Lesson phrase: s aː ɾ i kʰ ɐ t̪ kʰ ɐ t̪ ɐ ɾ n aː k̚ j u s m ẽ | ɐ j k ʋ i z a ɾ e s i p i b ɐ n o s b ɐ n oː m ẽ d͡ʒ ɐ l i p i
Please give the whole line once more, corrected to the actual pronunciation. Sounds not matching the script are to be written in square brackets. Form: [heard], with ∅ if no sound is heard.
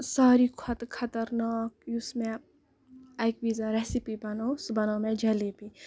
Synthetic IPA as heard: s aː ɾ i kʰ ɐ t̪ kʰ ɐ t̪ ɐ ɾ n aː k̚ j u s m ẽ | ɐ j k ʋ i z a ɾ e s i p i b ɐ n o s b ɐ n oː m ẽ d͡ʒ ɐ l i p i

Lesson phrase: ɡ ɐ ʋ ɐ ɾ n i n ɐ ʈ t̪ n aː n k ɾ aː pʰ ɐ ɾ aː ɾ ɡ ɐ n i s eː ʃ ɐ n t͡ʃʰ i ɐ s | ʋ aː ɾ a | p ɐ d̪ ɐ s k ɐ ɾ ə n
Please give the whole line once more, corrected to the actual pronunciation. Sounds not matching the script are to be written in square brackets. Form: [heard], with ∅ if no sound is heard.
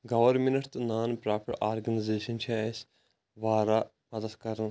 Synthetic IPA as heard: ɡ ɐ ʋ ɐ ɾ [m] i n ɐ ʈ t̪ n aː n [p] ɾ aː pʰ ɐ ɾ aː ɾ ɡ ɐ n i [z] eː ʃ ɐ n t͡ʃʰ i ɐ s | ʋ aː ɾ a | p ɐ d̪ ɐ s k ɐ ɾ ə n

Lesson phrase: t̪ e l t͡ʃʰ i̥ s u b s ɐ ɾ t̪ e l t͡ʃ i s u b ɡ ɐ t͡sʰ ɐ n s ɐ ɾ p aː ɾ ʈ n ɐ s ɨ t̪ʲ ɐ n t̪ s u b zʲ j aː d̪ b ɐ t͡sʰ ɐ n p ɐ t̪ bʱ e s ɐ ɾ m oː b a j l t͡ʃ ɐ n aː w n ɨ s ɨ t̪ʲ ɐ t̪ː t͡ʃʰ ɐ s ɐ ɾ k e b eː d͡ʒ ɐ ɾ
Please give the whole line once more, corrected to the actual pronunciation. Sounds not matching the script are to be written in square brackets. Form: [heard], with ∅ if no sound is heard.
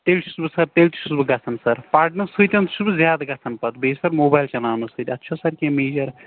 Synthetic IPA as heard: t̪ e l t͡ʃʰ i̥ s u b s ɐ ɾ t̪ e l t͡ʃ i s u b ɡ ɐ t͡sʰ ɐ n s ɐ ɾ p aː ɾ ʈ n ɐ s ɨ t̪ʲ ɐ n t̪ s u b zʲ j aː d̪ [ɡ] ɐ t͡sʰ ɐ n p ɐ t̪ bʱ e s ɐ ɾ m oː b a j l t͡ʃ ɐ n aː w n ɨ s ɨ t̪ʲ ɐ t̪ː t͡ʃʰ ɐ s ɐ ɾ k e [m] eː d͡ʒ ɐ ɾ

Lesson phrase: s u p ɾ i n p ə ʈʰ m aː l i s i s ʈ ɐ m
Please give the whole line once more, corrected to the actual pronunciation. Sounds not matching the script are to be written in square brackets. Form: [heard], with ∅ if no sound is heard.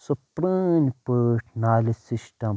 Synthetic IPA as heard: s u p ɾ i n p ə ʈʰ [n] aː l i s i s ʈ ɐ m

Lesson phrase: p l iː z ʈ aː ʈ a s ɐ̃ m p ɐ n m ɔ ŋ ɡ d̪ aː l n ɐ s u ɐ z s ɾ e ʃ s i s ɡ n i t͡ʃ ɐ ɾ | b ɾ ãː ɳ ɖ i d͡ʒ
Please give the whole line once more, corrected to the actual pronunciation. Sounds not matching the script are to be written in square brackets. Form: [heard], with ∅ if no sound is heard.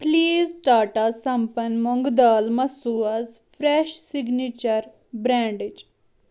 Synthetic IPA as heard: p l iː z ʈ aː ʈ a s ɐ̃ m p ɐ n m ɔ ŋ ɡ d̪ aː l [m] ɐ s u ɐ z [f] ɾ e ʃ s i [∅] ɡ n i t͡ʃ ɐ ɾ | b ɾ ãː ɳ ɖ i d͡ʒ

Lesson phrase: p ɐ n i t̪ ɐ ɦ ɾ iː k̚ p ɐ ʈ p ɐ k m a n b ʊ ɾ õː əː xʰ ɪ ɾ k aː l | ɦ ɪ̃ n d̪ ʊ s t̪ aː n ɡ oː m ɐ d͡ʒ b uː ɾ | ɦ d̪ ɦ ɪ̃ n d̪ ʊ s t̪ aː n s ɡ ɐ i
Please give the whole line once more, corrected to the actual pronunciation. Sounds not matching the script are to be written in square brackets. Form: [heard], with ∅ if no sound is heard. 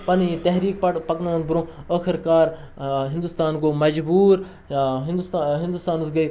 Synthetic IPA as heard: p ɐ n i t̪ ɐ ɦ ɾ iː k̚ p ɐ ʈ p ɐ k [n] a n b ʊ ɾ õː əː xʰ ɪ ɾ k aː [ɾ] | ɦ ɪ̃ n d̪ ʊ s t̪ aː n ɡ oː m ɐ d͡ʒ b uː ɾ | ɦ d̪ ɦ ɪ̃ n d̪ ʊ s t̪ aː n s ɡ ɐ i

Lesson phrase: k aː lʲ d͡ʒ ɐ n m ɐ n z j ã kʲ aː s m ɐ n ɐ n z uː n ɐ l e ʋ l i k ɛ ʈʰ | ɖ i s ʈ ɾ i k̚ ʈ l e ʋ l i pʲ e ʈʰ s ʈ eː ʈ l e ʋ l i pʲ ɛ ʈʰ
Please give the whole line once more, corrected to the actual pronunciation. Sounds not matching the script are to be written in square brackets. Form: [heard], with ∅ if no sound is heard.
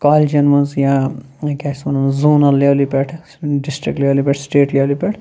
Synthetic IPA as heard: k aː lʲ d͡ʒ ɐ n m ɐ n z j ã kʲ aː s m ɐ n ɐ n z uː n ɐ l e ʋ l i [p] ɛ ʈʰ | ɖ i s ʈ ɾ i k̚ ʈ l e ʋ l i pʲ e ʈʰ s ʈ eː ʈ l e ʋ l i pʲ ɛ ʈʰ

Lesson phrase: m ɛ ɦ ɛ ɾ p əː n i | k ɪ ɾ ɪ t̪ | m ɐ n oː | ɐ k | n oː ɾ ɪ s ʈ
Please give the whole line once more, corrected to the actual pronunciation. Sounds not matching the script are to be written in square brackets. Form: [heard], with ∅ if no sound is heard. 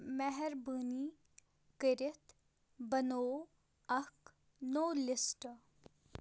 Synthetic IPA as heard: m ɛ ɦ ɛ ɾ [b] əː n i | k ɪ ɾ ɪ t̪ | [b] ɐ n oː | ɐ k | n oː [l] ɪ s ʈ

